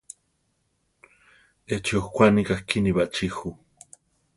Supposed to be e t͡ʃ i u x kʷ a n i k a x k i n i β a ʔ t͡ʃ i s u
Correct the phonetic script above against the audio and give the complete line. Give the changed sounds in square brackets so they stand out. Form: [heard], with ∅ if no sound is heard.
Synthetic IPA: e t͡ʃ i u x kʷ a n i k a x k i n i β a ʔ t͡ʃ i [x] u